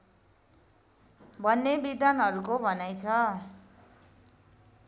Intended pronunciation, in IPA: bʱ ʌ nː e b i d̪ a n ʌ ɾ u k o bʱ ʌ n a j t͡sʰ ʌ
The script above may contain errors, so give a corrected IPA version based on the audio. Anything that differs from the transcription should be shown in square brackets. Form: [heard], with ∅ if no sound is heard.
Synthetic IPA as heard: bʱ ʌ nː e b i d̪ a n ʌ ɾ u k o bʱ ʌ n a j t͡sʰ ʌ